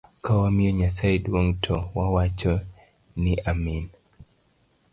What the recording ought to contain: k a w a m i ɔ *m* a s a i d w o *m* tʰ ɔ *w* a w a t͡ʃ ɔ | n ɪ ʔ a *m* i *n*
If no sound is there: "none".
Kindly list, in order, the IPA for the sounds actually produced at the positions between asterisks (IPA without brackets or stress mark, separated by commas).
ɲ, ŋ, w, m, n